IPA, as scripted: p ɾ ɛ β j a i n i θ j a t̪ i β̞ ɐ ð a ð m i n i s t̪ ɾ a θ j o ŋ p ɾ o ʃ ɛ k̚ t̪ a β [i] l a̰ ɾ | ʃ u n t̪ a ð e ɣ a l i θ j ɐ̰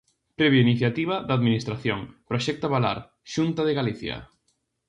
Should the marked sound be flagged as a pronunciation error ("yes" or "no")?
yes